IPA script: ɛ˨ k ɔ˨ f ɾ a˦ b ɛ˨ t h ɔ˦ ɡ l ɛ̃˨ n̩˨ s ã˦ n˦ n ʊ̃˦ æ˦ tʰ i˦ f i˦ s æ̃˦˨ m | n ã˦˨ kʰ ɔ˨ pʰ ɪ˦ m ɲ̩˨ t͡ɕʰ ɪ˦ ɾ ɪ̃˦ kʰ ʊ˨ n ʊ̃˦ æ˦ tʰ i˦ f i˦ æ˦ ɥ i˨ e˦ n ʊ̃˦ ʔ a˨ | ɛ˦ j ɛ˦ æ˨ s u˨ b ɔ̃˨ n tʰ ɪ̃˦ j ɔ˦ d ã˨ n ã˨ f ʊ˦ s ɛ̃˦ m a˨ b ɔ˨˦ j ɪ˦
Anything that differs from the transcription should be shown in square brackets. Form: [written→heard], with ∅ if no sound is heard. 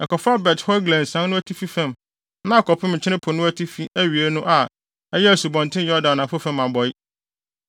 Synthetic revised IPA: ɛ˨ k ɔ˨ f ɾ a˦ b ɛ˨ t h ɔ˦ ɡ l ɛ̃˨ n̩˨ s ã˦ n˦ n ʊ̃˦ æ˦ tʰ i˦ f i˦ [s→f] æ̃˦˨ m | n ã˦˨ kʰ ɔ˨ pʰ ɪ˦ m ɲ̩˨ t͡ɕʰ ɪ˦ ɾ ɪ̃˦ [kʰ→pʰ] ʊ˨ n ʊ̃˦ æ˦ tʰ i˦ f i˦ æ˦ ɥ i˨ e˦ n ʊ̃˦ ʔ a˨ | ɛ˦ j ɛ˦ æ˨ s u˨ b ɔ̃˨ n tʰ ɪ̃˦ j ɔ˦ d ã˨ n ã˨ f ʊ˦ [s→f] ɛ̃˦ m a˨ b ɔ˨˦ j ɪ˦